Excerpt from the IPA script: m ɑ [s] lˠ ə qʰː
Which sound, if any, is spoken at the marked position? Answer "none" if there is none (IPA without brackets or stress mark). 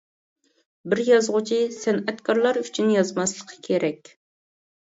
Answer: s